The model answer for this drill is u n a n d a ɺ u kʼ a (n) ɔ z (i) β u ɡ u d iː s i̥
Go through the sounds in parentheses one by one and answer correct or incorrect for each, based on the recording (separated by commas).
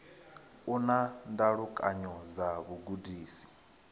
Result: incorrect, incorrect